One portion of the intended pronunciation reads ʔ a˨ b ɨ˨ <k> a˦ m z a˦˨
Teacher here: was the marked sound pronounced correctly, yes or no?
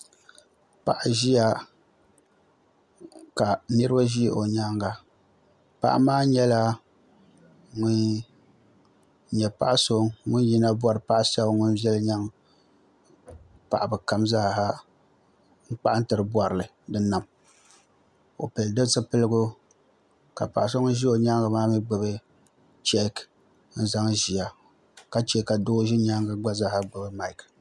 yes